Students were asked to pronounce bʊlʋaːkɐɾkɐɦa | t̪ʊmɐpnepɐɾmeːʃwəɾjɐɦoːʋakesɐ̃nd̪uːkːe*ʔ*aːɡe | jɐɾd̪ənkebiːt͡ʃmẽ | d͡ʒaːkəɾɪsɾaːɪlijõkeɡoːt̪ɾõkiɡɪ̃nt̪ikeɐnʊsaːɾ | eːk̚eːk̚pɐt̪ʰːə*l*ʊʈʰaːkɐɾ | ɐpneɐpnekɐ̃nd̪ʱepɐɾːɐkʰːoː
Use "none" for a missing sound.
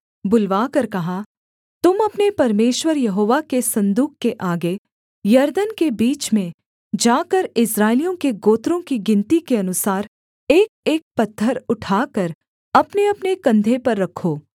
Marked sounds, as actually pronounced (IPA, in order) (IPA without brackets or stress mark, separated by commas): ʔ, ɾ